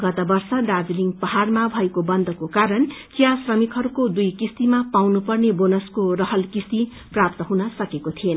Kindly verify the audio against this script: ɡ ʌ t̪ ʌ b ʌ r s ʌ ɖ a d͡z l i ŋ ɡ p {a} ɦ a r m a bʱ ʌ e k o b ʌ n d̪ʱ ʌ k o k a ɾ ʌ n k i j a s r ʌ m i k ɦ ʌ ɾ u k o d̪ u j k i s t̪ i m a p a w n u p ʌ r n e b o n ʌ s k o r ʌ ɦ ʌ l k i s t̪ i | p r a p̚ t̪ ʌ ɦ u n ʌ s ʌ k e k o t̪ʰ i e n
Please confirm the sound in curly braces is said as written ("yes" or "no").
no